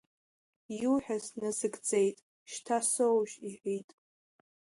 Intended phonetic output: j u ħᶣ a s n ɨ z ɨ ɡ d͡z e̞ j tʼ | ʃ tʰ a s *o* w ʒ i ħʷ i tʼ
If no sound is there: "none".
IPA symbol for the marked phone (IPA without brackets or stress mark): o